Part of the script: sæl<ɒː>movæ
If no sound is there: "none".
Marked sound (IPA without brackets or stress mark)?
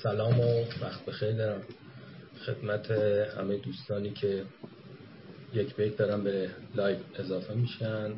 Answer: ɒː